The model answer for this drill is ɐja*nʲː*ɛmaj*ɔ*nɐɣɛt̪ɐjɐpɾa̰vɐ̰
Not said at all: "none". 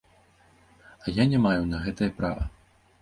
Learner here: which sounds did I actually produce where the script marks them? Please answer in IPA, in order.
nʲ, u

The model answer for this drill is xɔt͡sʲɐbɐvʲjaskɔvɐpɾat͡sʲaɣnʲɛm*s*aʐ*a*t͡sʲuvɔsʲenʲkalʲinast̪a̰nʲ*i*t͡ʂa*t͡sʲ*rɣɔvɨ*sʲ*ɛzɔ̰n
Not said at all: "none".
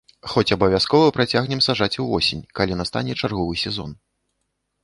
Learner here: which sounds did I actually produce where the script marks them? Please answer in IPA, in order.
s, a, ɛ, none, sʲ

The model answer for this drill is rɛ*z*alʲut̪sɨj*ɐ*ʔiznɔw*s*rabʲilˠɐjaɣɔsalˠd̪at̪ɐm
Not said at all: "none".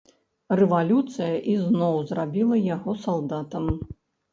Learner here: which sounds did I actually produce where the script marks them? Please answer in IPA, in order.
v, ɐ, z

